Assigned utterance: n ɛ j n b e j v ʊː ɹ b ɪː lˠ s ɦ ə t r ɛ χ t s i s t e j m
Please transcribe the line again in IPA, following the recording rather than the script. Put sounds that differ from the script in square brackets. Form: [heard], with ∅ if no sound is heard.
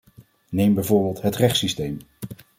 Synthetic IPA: n [e] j [m] b [ɛ] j v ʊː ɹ b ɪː lˠ [t] ɦ ə t r ɛ χ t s i s t e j m